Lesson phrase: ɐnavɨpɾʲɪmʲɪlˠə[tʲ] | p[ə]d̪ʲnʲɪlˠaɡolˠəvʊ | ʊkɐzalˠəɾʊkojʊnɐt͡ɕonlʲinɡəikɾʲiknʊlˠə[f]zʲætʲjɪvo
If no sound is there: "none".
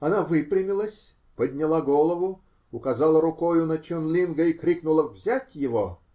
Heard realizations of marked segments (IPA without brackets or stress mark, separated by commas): sʲ, ə, v